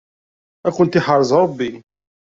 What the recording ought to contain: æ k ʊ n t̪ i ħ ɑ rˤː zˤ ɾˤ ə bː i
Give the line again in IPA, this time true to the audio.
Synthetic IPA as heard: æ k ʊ n t̪ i ħ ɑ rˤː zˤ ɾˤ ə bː i